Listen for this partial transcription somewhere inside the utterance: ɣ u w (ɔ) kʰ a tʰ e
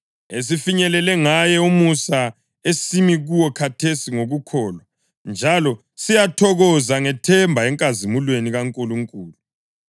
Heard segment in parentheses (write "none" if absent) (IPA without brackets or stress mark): ɔ